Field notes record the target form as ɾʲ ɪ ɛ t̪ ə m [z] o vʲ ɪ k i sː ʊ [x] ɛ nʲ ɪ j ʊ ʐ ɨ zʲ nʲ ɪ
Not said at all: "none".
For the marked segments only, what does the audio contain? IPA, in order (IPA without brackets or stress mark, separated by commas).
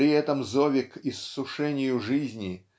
z, ʂ